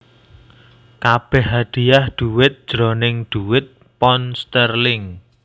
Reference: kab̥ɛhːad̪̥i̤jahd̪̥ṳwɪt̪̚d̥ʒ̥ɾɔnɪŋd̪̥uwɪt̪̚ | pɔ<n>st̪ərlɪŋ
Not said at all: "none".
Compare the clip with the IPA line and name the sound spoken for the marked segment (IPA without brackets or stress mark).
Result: n